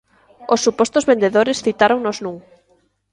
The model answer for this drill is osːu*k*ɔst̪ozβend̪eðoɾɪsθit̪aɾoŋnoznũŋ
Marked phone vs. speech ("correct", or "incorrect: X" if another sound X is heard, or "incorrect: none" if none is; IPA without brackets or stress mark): incorrect: p